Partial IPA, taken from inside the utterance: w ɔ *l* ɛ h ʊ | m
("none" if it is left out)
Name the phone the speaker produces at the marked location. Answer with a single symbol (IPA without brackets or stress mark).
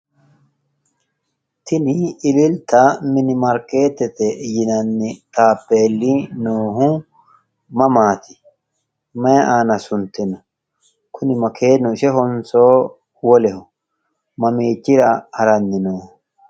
l